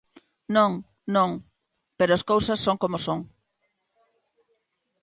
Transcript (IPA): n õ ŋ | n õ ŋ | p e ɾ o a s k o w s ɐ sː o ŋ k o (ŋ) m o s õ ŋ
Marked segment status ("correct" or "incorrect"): incorrect